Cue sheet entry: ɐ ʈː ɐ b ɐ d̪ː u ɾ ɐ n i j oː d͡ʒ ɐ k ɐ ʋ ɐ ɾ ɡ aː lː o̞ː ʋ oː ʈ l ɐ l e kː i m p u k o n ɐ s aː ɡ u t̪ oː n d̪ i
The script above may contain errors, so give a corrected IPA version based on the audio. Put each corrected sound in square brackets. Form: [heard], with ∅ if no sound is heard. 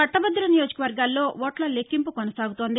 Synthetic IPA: ɐ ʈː ɐ b ɐ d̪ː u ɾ ɐ n i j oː d͡ʒ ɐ k ɐ ʋ ɐ ɾ ɡ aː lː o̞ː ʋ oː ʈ l ɐ l e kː i m p u k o n ɐ s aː ɡ u t̪ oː n d̪ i